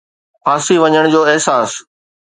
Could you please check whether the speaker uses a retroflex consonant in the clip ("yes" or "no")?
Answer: yes